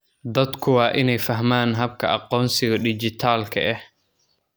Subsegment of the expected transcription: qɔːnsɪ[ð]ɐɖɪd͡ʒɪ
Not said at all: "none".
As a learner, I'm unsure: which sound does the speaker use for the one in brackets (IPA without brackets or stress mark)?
ɣ